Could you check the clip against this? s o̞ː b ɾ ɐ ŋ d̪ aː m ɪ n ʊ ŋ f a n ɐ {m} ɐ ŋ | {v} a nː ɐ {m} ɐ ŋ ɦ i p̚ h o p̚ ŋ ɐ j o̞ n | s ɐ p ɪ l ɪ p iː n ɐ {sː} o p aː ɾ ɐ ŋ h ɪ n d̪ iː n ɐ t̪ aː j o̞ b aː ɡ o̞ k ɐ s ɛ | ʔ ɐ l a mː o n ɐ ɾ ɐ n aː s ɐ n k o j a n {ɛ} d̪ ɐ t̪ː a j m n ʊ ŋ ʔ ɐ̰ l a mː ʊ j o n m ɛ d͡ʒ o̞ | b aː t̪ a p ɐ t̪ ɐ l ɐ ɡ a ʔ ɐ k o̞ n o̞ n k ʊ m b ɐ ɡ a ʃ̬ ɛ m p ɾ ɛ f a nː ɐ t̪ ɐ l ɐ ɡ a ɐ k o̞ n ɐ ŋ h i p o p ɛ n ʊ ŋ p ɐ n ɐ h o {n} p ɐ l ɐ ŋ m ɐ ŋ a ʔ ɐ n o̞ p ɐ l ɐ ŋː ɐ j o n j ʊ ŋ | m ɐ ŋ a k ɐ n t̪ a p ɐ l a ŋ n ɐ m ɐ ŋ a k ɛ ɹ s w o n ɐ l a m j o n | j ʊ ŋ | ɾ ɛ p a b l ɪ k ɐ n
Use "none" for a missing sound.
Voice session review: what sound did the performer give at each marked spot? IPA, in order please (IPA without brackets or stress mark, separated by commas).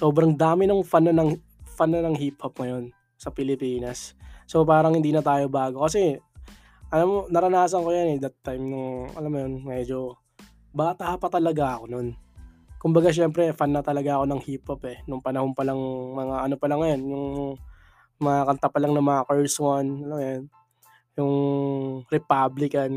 n, f, n, sː, ɛ, n